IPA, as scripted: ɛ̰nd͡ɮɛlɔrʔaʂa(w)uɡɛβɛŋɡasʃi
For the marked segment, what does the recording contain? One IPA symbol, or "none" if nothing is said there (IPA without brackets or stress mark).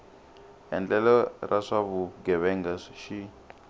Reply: β